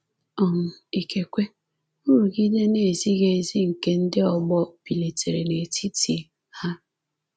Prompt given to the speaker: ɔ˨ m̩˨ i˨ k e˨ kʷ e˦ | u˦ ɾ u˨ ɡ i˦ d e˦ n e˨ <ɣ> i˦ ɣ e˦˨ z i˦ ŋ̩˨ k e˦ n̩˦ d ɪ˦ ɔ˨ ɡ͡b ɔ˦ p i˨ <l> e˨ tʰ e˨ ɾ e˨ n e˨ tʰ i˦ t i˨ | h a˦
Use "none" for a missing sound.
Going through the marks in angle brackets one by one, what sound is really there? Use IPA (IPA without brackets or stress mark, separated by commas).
z, l